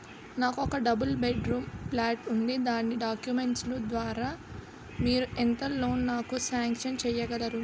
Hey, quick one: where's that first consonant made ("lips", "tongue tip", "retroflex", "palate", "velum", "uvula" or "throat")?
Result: tongue tip